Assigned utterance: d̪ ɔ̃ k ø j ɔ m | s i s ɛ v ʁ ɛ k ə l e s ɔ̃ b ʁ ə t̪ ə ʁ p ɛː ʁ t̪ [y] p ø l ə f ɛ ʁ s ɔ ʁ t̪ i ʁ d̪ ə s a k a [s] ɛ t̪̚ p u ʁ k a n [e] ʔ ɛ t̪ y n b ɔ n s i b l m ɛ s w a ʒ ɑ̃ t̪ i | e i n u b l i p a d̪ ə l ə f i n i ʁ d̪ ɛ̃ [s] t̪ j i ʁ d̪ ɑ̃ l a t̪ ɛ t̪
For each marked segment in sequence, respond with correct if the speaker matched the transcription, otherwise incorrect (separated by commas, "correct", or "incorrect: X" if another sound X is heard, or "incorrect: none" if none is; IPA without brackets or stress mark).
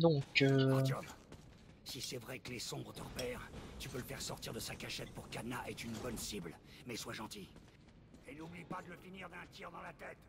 correct, incorrect: ʃ, incorrect: a, incorrect: none